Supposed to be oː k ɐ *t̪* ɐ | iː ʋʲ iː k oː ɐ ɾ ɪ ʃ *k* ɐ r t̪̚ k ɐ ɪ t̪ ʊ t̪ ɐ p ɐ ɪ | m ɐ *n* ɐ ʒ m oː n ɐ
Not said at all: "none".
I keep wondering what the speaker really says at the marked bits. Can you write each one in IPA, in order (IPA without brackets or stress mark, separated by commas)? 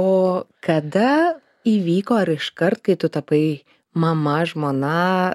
d̪, k, m